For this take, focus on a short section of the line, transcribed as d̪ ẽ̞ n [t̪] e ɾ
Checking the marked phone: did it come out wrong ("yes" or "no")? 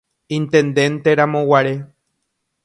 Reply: no